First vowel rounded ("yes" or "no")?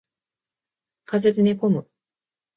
no